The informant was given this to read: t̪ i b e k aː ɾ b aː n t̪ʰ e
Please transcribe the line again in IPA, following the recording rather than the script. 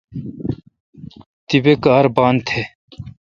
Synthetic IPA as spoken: t̪ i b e k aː ɾ b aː n t̪ʰ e